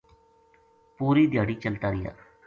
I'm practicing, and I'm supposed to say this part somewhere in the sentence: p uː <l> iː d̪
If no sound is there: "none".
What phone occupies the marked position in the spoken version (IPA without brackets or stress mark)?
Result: ɾ